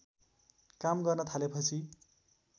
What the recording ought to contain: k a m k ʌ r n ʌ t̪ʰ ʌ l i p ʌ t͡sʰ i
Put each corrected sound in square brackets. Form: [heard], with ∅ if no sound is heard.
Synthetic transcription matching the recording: k a m [ɡ] ʌ r n ʌ t̪ʰ [a] l [e] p ʌ t͡sʰ i